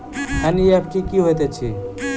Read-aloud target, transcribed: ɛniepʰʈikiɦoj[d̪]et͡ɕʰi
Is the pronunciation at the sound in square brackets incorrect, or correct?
incorrect